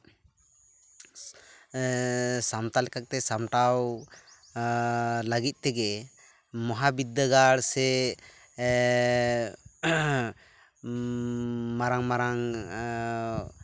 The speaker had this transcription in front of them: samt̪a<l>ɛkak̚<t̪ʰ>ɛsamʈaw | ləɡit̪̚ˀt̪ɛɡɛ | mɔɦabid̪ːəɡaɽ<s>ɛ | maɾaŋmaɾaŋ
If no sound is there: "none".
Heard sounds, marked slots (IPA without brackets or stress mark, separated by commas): l, t̪, s